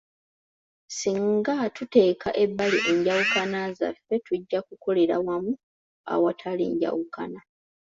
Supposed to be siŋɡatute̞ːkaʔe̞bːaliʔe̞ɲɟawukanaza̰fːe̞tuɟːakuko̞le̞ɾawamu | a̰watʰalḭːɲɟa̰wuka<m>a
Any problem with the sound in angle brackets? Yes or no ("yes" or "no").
yes